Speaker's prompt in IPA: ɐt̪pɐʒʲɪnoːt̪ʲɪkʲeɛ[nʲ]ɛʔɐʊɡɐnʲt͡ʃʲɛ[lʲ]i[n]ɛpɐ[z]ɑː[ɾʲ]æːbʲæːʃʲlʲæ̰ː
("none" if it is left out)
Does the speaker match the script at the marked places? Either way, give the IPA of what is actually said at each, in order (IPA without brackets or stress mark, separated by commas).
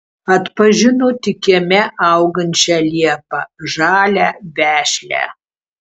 mʲ, lʲ, none, ʒ, lʲ